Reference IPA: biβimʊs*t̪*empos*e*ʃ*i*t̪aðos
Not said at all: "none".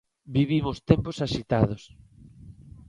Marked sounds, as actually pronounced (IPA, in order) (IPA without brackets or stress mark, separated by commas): t̪, a, i